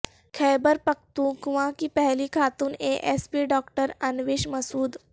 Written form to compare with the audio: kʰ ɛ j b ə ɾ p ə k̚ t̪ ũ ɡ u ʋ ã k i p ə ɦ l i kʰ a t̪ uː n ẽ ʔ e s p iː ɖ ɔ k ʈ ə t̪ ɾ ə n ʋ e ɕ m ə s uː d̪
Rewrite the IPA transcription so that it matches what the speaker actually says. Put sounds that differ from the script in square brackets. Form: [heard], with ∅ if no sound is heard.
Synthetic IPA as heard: kʰ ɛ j b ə ɾ p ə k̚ t̪ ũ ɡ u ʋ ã k i p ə ɦ l i kʰ a t̪ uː n [e] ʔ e s p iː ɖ ɔ k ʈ ə [∅] ɾ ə n ʋ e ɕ m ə s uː d̪